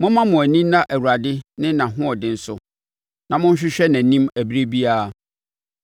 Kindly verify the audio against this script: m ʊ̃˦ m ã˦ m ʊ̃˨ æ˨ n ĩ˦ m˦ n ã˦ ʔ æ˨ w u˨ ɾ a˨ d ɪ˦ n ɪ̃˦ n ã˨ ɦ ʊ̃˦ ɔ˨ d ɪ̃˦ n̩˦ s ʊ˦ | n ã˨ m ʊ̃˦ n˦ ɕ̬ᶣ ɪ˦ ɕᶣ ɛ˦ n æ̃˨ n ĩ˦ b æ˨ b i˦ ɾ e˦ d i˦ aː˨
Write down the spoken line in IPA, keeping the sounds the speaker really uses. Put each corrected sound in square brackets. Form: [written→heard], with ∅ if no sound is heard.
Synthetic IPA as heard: m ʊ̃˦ m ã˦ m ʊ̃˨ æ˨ n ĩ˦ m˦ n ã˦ ʔ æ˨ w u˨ ɾ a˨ d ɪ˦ n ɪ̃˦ n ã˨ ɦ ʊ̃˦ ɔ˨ d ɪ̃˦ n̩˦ s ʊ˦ | n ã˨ m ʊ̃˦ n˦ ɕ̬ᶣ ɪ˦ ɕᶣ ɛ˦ n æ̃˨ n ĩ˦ [b→m] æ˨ b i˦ ɾ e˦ [d→b] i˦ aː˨